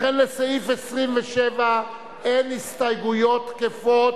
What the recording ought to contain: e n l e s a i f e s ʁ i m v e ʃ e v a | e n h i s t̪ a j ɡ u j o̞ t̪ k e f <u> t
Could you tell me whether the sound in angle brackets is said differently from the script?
yes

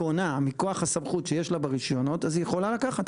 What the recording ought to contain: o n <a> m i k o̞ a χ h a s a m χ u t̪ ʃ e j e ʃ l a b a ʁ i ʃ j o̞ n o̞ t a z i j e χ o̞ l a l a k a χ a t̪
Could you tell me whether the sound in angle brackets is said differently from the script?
no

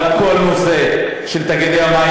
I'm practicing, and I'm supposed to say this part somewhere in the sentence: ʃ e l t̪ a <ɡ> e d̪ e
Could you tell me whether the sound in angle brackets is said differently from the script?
no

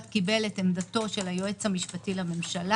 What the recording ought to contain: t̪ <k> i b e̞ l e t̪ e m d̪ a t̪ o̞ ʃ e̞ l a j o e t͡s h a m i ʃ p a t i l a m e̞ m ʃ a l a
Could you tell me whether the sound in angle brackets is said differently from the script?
no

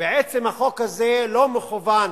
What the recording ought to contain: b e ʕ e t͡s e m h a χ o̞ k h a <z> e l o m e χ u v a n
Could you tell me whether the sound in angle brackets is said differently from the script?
no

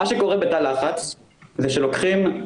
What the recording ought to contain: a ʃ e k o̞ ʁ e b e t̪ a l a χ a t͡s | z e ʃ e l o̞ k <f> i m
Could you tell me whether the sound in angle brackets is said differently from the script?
yes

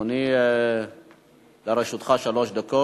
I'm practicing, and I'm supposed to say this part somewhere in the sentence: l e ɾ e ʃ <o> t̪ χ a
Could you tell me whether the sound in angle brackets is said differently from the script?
yes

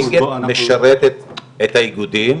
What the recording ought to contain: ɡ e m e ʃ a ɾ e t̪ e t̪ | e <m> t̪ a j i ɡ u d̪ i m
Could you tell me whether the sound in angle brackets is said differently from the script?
yes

